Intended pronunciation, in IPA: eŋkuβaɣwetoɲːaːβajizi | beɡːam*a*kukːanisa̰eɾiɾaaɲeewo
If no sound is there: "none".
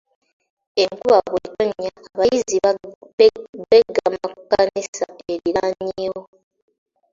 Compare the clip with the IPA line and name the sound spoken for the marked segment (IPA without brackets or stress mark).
a